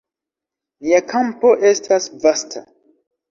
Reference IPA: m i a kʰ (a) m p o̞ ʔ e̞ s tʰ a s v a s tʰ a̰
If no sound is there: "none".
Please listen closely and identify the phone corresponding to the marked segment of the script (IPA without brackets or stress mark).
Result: a